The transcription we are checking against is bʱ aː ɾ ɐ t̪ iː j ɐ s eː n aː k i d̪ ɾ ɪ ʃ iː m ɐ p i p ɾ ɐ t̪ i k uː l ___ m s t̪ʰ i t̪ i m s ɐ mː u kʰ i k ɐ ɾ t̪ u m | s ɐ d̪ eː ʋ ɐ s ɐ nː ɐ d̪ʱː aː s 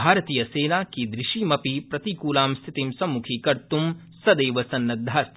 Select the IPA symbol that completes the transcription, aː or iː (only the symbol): aː